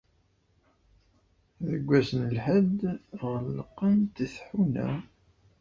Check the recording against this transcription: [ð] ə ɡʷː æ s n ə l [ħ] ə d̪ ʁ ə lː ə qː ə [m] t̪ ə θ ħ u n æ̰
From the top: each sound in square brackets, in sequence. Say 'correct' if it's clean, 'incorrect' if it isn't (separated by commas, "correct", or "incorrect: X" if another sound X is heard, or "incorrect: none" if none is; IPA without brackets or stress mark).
correct, correct, incorrect: n